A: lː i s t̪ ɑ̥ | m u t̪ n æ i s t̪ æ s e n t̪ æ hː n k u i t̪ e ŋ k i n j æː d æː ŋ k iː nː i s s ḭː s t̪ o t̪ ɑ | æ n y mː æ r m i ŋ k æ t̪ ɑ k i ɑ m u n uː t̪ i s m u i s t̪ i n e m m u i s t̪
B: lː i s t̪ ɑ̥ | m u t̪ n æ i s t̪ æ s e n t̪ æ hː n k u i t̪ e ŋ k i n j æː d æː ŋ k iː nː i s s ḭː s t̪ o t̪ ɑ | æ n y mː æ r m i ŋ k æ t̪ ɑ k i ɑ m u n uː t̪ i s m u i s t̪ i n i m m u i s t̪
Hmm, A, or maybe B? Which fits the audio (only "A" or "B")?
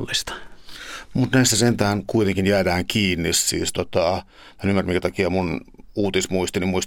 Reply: B